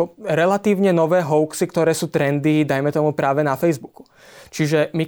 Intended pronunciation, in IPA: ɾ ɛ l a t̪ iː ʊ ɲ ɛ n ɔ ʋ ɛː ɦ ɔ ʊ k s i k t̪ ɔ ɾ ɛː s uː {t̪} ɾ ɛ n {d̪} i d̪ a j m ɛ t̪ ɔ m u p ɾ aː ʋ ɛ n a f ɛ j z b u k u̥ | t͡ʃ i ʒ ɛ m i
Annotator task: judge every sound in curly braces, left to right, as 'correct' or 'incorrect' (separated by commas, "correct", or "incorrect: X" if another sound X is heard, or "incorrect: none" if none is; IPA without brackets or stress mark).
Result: correct, correct